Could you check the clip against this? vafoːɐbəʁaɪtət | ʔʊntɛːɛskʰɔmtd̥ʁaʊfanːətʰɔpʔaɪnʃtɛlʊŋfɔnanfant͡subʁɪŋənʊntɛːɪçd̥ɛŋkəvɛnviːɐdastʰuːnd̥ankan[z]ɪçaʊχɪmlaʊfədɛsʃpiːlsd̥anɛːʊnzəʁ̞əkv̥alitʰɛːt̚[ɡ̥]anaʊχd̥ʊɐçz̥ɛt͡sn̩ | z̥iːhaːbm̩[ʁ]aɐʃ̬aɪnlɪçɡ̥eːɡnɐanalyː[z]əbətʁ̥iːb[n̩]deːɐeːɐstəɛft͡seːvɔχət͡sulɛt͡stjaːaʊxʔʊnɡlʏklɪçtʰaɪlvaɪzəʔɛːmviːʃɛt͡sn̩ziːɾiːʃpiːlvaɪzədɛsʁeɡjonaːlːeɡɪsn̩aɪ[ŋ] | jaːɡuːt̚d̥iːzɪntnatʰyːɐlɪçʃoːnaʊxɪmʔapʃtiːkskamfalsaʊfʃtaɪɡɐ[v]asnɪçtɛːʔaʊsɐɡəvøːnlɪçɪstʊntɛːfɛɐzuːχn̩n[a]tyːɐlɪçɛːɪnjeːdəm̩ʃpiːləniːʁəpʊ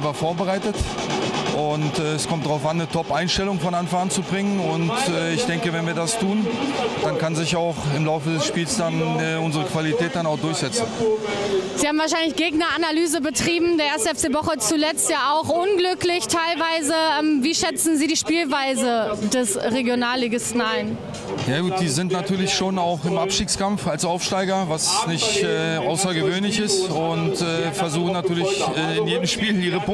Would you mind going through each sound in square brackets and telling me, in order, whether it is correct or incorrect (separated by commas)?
correct, incorrect, incorrect, correct, incorrect, incorrect, correct, correct